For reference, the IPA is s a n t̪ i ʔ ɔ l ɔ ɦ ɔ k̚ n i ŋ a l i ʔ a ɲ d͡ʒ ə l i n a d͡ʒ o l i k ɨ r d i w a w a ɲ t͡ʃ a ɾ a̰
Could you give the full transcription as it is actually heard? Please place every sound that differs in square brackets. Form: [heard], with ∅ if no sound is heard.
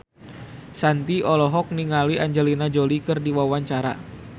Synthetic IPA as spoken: s a n t̪ i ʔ ɔ l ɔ ɦ ɔ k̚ n i ŋ a l i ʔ a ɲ d͡ʒ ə l i n a d͡ʒ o l i k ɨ r d i w a w a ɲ t͡ʃ a ɾ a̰